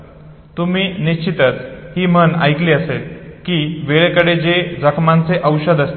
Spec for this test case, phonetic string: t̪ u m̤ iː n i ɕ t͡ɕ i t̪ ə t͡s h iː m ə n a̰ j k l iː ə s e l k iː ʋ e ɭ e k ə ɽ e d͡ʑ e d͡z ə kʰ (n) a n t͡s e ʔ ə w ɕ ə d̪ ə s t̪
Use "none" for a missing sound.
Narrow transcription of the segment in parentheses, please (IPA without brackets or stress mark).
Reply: m